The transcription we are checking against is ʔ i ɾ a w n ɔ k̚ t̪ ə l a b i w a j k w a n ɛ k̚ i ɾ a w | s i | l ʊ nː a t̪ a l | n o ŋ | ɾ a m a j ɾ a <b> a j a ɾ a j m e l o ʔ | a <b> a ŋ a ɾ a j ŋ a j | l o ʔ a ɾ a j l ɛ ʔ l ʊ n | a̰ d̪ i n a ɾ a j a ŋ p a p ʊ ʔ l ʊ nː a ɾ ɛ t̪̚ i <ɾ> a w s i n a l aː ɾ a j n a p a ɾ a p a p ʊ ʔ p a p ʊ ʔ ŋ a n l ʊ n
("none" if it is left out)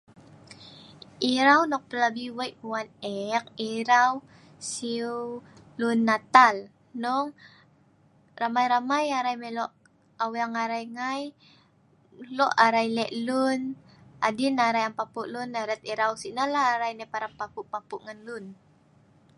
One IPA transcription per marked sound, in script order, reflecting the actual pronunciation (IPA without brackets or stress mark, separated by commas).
m, w, ɾ